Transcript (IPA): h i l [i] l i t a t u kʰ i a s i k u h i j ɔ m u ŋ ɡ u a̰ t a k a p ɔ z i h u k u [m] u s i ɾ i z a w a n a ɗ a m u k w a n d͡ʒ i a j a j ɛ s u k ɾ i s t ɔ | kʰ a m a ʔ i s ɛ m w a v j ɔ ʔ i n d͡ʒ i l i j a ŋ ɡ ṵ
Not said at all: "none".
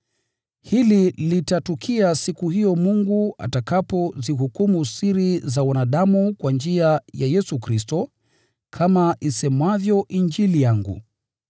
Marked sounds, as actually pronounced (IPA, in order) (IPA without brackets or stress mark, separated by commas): i, m